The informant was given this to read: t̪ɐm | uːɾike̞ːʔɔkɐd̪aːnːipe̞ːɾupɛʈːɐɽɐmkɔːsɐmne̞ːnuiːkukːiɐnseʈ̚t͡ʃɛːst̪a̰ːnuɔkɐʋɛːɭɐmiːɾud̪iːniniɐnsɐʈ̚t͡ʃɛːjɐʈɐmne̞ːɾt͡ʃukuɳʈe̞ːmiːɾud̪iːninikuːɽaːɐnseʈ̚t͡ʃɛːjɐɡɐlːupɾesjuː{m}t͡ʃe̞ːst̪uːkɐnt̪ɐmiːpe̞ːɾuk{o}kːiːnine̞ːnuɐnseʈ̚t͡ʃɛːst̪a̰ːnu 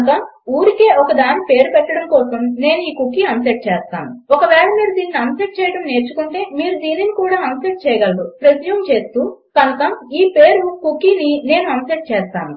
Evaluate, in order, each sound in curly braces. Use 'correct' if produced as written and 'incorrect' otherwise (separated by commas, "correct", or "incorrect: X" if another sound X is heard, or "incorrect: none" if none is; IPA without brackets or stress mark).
correct, incorrect: u